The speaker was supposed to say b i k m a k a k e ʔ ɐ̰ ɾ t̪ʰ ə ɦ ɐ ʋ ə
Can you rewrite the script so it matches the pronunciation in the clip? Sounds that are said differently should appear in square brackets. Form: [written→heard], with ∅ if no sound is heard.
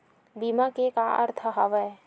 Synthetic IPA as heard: b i [k→∅] m a k [a→e] k [e→a] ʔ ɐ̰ ɾ t̪ʰ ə ɦ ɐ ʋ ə